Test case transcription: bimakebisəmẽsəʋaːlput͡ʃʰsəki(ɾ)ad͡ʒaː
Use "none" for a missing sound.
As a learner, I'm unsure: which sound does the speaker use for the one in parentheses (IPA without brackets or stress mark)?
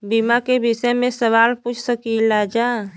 l